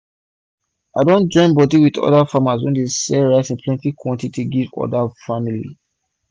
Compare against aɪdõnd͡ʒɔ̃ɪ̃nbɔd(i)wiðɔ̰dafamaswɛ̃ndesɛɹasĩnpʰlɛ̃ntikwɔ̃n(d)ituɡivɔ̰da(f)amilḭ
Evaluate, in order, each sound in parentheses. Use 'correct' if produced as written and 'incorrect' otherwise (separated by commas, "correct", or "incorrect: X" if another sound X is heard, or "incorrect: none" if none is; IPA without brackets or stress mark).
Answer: correct, incorrect: t, correct